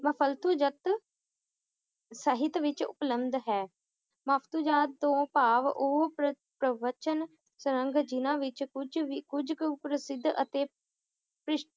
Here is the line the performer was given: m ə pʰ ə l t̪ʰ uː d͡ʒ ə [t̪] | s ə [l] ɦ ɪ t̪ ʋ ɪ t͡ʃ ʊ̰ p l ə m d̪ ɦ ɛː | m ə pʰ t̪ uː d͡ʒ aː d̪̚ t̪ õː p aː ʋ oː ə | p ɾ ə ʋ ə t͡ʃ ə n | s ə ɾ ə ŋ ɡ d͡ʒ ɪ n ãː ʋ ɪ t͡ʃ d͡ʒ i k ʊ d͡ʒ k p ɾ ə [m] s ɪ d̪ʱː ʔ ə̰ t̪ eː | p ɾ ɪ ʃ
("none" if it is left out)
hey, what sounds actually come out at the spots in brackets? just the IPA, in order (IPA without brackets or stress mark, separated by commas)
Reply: t̪, none, none